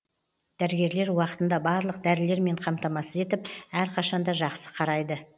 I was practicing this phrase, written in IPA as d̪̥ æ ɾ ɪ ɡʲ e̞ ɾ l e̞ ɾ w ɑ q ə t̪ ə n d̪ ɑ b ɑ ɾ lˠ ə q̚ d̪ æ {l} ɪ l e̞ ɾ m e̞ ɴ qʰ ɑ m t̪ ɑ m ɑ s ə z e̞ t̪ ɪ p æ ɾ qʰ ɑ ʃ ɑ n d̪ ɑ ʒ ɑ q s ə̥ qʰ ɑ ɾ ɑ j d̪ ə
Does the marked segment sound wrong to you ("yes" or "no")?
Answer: yes